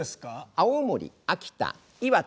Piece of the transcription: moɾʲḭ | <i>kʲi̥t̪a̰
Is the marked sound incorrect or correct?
incorrect